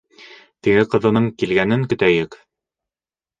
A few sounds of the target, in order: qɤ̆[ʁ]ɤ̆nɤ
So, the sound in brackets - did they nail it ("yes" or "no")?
no